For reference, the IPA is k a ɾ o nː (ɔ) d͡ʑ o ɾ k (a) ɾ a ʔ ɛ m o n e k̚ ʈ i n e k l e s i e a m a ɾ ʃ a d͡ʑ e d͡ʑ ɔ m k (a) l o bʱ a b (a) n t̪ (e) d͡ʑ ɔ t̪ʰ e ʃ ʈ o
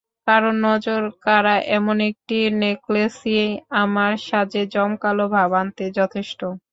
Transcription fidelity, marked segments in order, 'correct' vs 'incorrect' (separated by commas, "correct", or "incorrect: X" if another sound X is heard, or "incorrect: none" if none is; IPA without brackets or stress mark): correct, correct, correct, correct, correct